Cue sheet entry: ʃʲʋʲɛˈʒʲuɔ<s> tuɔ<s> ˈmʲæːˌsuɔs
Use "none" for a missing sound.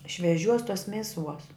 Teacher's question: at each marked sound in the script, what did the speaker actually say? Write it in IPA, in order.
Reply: s, s

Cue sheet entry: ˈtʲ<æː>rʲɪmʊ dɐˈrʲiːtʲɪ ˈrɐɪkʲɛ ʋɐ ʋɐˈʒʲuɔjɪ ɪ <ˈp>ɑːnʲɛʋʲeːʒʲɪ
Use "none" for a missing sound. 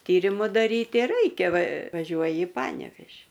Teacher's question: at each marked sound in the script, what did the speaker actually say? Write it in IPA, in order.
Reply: iː, p

